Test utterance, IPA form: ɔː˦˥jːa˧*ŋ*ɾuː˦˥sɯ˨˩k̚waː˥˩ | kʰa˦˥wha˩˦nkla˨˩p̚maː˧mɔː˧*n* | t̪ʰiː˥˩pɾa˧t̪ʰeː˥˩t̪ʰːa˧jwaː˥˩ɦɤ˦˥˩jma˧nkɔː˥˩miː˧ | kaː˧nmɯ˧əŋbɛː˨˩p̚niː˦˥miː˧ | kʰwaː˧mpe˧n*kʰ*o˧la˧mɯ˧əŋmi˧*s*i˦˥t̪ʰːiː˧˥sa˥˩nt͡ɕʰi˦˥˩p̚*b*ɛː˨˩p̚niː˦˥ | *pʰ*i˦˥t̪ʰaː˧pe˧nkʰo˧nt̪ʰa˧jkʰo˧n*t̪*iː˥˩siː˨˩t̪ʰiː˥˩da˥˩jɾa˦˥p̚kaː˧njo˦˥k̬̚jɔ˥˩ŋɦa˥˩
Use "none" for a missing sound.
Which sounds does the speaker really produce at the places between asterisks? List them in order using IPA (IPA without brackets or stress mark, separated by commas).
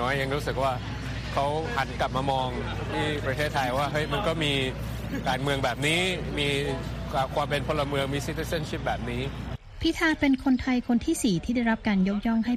ŋ, ŋ, pʰ, s, b, pʰ, t̪ʰ